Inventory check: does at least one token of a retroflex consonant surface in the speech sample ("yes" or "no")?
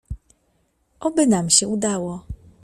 no